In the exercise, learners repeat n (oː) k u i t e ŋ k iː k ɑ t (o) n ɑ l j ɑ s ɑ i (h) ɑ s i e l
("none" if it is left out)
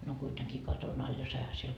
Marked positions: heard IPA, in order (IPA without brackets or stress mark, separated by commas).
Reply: o, o, h